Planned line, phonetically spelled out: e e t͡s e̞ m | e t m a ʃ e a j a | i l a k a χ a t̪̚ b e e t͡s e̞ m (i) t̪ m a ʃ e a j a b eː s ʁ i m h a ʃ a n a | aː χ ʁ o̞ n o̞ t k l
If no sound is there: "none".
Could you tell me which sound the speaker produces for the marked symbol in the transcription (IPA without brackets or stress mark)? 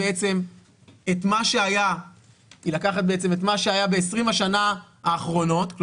e